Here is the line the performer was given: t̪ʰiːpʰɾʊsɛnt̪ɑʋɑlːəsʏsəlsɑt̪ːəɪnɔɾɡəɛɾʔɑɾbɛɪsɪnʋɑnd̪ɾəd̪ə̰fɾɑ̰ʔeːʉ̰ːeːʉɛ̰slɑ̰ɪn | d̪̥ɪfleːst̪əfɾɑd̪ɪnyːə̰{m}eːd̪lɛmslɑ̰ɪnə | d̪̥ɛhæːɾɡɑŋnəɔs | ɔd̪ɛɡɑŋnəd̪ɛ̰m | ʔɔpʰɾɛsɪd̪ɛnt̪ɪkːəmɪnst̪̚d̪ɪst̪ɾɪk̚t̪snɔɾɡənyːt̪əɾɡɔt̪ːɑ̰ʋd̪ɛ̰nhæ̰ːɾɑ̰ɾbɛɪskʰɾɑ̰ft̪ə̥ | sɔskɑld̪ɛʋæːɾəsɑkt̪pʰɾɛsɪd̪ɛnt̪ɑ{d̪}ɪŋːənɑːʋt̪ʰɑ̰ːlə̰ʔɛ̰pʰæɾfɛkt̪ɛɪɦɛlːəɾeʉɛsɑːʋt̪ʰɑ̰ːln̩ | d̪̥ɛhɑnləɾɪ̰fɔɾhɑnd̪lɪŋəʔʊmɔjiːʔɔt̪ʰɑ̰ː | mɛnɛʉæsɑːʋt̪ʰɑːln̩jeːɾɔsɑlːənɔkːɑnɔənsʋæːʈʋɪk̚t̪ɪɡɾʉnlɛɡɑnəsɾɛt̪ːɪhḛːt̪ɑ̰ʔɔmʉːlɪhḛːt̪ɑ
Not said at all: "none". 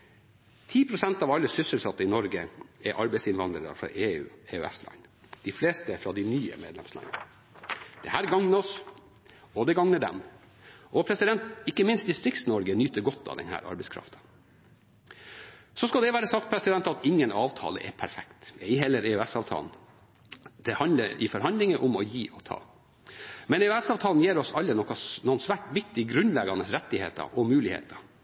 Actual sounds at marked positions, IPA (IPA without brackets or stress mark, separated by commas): m, t̪